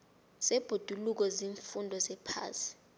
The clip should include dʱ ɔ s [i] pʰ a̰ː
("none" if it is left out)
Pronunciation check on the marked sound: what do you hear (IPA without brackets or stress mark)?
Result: ɛ